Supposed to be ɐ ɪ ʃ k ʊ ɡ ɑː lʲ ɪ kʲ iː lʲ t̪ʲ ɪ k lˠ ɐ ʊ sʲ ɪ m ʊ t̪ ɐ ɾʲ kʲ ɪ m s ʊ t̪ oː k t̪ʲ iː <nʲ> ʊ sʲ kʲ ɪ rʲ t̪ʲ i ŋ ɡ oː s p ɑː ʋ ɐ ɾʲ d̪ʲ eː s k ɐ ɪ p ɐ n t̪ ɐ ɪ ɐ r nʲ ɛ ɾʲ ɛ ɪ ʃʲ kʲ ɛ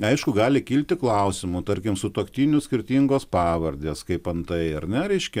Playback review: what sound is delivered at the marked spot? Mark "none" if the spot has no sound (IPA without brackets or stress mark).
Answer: nʲ